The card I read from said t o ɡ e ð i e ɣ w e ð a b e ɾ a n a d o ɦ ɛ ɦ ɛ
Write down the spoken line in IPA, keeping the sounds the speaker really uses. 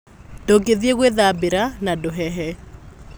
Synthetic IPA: d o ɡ e ð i e ɣ w e ð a b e ɾ a n a d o ɦ ɛ ɦ ɛ